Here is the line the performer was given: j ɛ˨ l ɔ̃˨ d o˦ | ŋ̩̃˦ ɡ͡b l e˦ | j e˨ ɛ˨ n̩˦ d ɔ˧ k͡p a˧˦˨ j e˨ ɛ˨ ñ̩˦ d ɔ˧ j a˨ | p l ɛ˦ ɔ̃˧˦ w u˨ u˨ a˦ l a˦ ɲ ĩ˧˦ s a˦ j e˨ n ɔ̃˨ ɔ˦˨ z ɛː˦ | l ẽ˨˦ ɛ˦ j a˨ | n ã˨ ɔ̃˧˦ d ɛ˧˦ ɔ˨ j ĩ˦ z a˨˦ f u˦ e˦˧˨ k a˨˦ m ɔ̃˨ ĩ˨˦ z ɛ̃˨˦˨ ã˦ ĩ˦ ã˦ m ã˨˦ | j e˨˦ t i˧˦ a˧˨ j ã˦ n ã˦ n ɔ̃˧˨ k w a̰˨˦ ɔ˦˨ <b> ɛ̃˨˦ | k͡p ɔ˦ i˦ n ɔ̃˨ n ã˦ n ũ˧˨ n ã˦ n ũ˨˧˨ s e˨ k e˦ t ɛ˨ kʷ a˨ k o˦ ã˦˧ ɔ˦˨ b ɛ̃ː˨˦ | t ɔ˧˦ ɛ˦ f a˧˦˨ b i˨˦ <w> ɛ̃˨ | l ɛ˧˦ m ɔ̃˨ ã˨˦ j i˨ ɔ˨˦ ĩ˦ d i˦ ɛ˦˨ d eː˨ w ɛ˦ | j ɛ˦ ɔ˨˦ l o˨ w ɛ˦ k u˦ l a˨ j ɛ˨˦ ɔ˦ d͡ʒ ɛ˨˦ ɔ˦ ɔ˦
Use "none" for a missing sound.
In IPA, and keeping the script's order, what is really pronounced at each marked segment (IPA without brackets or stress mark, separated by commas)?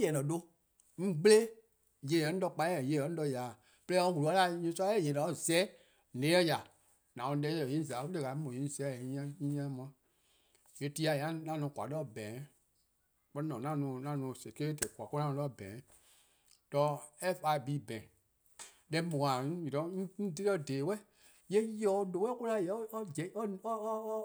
b, b